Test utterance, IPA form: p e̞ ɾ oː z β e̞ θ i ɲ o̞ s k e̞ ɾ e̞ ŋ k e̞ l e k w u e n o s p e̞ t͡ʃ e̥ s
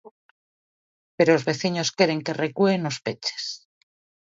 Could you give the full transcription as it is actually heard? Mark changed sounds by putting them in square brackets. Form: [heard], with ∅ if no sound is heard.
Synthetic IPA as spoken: p e̞ ɾ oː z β e̞ θ i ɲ o̞ s k e̞ ɾ e̞ ŋ k e̞ [r] e k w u e n o s p e̞ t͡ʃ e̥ s